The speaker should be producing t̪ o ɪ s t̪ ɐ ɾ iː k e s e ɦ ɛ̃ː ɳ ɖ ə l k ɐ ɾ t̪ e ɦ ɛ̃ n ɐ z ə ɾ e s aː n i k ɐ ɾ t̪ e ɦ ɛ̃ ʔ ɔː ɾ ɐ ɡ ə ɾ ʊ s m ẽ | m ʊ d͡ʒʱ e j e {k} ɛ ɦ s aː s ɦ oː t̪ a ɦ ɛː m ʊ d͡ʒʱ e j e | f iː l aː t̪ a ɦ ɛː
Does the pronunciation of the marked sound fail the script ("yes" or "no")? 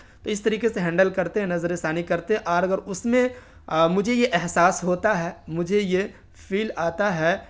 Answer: yes